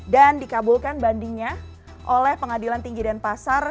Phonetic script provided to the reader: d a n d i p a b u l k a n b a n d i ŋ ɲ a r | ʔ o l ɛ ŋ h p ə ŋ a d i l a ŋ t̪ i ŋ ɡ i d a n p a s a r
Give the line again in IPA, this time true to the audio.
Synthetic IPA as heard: d a n d i k a b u l k a n b a n d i ŋ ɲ a | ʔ o l ɛ h p ə ŋ a d i l a n t̪ i ŋ ɡ i d a n p a s a r